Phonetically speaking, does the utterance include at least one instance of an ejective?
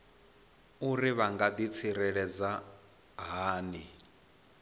no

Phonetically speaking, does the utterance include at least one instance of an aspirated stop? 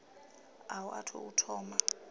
yes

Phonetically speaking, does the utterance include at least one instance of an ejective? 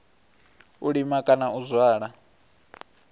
yes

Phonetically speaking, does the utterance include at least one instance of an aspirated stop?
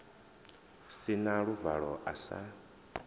no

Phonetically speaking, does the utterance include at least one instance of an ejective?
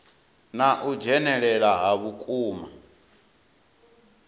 yes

